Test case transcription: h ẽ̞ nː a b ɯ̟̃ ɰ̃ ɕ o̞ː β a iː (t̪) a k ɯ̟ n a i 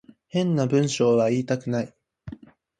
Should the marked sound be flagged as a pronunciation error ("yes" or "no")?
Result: no